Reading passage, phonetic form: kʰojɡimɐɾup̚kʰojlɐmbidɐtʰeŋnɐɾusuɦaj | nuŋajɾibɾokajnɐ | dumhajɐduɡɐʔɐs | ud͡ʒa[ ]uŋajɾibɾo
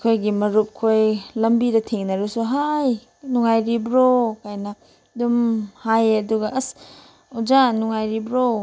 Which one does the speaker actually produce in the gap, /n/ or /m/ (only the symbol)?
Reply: n